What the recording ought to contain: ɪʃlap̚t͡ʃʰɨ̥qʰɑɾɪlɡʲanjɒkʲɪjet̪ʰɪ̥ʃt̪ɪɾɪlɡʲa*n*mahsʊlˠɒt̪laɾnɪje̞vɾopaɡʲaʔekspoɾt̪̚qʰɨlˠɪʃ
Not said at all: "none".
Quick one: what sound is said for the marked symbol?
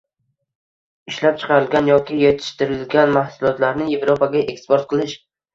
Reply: n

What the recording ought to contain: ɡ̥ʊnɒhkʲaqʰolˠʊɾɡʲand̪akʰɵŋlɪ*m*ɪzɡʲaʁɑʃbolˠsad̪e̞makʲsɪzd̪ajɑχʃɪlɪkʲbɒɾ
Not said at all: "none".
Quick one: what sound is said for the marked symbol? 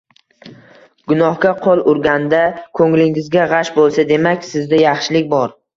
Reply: ŋ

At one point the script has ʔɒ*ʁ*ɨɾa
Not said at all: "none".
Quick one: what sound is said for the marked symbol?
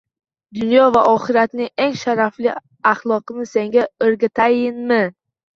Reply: χ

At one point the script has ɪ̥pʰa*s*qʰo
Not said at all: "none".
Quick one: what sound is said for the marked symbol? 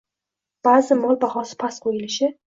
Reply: s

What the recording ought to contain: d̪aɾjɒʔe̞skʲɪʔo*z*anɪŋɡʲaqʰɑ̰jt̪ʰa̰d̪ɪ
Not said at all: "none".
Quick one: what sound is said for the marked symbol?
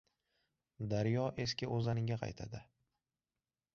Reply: z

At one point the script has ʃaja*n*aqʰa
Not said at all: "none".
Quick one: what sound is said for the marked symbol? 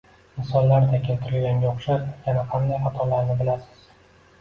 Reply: n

